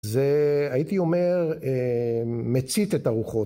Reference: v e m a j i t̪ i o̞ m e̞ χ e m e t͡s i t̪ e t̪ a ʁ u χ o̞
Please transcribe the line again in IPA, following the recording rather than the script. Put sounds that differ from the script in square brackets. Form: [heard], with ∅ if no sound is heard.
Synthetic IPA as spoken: [z] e [∅] a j i t̪ i o̞ m e̞ [ʁ] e m e t͡s i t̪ e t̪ a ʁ u χ o̞